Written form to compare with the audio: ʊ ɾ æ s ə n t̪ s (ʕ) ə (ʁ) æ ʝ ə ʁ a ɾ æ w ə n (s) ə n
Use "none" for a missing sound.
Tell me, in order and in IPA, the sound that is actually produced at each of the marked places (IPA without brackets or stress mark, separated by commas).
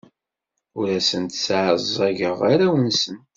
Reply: ʕ, z, s